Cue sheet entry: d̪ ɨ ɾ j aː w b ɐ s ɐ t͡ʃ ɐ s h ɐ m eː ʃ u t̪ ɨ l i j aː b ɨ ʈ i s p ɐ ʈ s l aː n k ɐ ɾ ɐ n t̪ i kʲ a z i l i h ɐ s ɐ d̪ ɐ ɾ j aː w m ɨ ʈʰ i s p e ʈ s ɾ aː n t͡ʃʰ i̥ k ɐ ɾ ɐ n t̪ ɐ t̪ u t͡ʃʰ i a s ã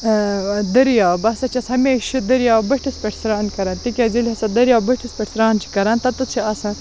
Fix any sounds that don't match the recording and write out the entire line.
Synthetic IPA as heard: d̪ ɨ ɾ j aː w b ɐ s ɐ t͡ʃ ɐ s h ɐ m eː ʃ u d̪ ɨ ɾ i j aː b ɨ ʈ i s p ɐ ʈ s ɾ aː n k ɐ ɾ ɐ n t̪ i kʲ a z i l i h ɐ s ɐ d̪ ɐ ɾ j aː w b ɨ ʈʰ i s p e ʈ s ɾ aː n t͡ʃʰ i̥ k ɐ ɾ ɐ n t̪ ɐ t̪ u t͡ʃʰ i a s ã